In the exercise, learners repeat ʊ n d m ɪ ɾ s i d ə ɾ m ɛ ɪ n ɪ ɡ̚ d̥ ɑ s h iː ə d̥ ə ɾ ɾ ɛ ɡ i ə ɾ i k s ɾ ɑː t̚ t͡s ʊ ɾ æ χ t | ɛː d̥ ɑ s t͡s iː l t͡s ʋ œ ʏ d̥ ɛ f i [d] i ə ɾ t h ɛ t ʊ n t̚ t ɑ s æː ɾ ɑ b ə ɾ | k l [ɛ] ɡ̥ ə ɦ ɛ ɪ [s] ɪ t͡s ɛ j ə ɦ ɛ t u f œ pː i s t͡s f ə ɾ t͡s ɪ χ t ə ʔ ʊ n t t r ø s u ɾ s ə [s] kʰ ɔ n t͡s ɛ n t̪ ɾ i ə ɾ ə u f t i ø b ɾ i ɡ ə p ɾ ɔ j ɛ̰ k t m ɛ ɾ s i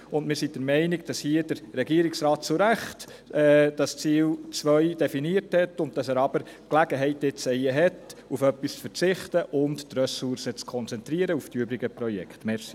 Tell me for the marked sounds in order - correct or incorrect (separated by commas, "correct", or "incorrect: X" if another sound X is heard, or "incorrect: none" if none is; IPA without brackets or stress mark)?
incorrect: n, incorrect: æ, incorrect: t, incorrect: t͡s